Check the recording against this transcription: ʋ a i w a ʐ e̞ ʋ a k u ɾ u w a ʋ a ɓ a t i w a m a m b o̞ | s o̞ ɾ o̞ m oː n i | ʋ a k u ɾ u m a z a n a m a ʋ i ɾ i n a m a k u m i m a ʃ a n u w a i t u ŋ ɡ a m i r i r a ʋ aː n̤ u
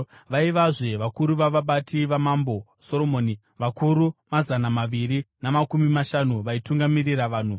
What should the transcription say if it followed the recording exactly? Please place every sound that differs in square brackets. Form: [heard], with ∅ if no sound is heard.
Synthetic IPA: ʋ a i [ʋ] a ʐ e̞ ʋ a k u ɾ u [ʋ] a ʋ a ɓ a t i [ʋ] a m a m b o̞ | s o̞ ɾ o̞ m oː n i | ʋ a k u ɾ u m a z a n a m a ʋ i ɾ i n a m a k u m i m a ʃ a n u [ʋ] a i t u ŋ ɡ a m i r i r a ʋ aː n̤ u